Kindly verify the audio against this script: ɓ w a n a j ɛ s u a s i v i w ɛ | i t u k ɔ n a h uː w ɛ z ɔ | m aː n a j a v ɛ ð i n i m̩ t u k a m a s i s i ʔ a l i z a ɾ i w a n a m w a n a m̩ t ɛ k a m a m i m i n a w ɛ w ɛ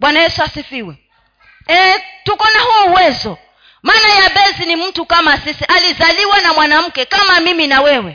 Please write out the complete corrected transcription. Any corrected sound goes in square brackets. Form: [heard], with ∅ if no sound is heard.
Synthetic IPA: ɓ w a n a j ɛ s u a s i [f] i w ɛ | [ɛ] t u k ɔ n a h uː w ɛ z ɔ | m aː n a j a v ɛ [z] i n i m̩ t u k a m a s i s i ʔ a l i z a [l] i w a n a m w a n a m̩ [k] ɛ k a m a m i m i n a w ɛ w ɛ